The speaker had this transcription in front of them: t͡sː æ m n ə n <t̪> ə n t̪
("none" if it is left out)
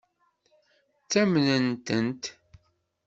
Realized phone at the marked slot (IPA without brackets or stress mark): t̪